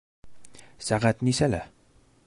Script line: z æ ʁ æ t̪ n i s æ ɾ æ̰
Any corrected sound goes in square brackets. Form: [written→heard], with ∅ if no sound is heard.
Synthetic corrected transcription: [z→s] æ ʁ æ t̪ n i s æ [ɾ→l] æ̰